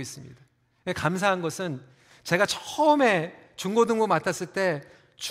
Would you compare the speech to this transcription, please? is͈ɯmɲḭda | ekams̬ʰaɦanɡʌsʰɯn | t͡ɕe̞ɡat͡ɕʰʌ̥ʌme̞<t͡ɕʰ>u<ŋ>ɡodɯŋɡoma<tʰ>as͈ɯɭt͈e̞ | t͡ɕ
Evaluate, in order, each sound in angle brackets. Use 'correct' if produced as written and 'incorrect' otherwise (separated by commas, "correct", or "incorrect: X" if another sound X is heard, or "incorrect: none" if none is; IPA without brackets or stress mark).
incorrect: t͡ɕ, correct, correct